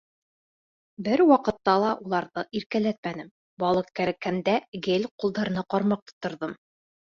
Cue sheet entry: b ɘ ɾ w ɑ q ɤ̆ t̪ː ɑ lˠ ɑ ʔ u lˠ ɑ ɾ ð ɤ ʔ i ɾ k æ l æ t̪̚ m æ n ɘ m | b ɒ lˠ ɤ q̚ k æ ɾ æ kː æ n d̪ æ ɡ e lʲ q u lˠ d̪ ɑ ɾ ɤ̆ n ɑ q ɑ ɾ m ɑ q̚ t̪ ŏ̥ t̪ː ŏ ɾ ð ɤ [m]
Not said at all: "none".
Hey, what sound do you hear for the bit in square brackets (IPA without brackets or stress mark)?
m